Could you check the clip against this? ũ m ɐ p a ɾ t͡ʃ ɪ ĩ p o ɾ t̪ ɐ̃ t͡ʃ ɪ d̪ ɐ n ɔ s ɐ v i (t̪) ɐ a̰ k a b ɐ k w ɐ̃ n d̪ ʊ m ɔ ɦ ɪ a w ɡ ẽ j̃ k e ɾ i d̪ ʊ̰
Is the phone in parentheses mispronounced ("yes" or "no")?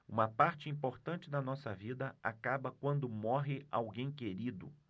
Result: yes